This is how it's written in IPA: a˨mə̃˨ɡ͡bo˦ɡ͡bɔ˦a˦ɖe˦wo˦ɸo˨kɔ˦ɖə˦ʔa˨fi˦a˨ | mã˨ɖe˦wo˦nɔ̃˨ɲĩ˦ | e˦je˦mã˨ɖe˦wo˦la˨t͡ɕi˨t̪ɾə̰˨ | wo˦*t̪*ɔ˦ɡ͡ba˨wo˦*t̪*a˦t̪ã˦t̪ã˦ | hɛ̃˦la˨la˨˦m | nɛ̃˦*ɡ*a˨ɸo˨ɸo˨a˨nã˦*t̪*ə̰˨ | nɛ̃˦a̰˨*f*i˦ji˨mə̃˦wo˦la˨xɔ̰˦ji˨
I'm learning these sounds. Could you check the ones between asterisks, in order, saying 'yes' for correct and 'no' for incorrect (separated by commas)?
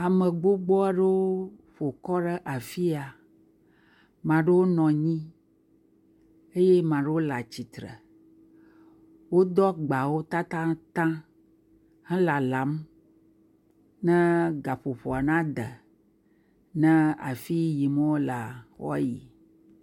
no, yes, yes, no, yes